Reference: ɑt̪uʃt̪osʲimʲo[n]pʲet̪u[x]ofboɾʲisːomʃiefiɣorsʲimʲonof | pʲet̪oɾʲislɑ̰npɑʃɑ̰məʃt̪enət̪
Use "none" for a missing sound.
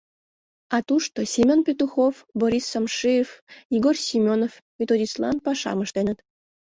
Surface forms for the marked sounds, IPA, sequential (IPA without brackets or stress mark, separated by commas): n, x